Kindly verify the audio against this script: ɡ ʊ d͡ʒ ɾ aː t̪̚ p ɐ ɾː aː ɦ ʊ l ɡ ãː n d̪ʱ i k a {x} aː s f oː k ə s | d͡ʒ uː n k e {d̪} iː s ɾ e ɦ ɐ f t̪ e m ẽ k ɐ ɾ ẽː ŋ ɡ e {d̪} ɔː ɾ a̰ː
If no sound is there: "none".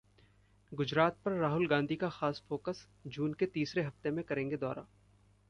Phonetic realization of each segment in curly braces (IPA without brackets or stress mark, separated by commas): x, t̪, d̪